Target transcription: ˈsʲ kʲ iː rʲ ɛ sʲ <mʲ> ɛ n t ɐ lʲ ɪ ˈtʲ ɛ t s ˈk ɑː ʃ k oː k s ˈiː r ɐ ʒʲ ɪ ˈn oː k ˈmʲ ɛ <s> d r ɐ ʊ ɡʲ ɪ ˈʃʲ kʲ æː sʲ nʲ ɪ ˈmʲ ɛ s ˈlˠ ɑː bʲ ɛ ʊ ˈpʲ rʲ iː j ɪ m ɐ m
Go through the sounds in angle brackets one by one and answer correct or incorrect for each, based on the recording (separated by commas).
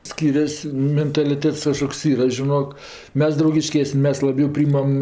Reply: correct, correct